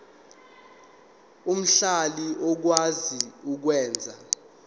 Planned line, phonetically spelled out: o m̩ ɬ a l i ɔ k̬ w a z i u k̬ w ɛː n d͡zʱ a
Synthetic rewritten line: u m̩ ɬ a l i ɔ k̬ w a z i u k̬ w ɛː n d͡zʱ a